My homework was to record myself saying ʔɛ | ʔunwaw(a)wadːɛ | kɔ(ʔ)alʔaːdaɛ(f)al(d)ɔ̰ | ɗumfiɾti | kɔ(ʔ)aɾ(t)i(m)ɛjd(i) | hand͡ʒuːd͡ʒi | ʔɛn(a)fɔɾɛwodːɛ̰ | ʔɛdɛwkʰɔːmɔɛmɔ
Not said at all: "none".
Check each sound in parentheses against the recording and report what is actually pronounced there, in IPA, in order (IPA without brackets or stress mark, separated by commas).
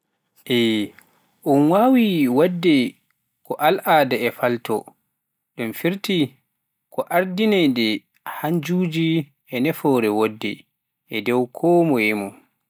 i, ʔ, f, t, ʔ, d, n, ɛ, ɛ